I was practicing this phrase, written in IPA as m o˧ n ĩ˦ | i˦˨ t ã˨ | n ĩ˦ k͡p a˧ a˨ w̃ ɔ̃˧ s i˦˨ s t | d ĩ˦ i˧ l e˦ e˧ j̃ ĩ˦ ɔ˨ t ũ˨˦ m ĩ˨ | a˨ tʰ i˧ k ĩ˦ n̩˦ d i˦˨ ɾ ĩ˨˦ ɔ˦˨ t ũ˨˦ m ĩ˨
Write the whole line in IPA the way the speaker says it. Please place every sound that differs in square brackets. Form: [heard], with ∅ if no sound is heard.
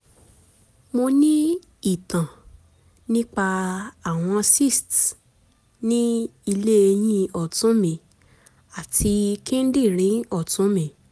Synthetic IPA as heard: m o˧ n ĩ˦ | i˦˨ t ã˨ | n ĩ˦ k͡p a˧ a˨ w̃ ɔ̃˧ s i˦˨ s t | [n] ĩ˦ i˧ l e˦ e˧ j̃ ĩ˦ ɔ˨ t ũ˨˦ m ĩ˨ | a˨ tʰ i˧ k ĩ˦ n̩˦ d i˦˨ ɾ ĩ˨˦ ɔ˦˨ t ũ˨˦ m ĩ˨